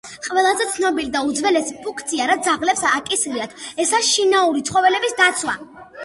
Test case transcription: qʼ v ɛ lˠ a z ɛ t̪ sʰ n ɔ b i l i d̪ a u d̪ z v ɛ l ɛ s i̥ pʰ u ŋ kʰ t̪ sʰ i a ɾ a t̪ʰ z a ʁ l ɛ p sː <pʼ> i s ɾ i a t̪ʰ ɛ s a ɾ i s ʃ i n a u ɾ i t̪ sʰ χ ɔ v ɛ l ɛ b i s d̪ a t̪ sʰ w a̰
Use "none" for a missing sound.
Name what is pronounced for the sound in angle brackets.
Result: kʼ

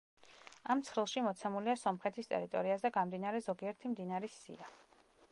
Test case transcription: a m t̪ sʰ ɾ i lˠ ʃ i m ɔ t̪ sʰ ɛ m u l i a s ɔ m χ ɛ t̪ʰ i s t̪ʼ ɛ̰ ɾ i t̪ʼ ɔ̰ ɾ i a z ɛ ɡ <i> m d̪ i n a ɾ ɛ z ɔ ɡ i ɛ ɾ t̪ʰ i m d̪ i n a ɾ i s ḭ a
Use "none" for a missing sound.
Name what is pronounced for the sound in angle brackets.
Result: a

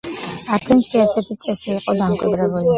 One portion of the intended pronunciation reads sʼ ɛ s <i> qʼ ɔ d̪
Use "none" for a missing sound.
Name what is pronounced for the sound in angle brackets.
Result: iː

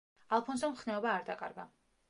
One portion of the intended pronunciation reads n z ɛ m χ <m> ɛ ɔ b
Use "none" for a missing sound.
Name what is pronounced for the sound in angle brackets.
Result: n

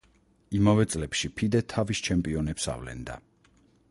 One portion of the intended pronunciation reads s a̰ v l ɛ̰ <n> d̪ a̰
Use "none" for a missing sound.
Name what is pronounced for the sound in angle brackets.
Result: n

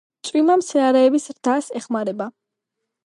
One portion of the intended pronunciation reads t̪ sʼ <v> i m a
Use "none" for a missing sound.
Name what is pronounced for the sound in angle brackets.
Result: w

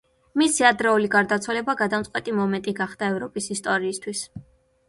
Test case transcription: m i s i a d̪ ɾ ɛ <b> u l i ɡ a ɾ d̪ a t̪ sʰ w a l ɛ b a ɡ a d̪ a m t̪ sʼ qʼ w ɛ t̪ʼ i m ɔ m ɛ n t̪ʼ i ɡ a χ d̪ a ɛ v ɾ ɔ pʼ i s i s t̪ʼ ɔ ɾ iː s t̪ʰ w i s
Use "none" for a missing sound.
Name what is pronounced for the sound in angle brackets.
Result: none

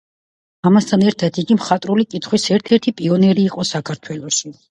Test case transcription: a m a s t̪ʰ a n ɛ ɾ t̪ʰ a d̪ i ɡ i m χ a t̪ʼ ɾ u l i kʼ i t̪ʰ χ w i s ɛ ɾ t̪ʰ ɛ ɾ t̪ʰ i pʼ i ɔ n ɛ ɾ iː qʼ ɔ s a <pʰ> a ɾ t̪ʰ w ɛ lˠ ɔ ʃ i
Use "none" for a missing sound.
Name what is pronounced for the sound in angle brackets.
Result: kʰ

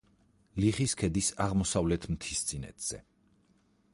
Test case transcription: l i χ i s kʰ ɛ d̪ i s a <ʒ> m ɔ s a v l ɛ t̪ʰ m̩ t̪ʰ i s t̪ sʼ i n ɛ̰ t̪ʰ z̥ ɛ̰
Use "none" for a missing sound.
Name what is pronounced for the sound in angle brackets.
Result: ʁ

